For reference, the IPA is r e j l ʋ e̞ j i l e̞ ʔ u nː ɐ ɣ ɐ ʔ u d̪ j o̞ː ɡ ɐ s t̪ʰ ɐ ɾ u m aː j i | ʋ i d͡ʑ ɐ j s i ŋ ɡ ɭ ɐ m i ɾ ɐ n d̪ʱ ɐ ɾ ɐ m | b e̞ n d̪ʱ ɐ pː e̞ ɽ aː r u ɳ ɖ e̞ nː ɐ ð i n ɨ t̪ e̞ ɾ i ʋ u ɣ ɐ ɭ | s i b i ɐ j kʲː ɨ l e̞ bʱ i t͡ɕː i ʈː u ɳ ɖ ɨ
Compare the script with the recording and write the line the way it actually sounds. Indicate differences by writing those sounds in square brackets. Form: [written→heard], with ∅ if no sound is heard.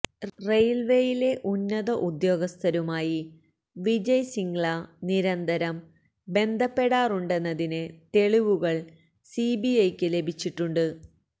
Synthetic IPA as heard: r e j l ʋ e̞ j i l e̞ ʔ u nː ɐ [ɣ→ð] ɐ ʔ u d̪ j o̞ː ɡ ɐ s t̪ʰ ɐ ɾ u m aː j i | ʋ i d͡ʑ ɐ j s i ŋ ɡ ɭ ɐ [m→n] i ɾ ɐ n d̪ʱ ɐ ɾ ɐ m | b e̞ n d̪ʱ ɐ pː e̞ ɽ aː r u ɳ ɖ e̞ nː ɐ ð i n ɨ t̪ e̞ [ɾ→ɭ] i ʋ u ɣ ɐ ɭ | s i b i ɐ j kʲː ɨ l e̞ bʱ i t͡ɕː i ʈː u ɳ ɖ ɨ